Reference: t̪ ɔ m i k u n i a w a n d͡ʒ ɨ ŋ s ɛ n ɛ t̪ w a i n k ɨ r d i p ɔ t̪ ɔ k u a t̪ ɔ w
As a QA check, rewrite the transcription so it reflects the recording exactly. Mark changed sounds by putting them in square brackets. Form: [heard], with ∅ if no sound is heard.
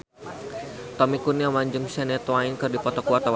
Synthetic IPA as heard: t̪ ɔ m i k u n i a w a [ɲ] d͡ʒ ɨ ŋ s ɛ n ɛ t̪ w a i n k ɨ r d i p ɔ t̪ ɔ k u a t̪ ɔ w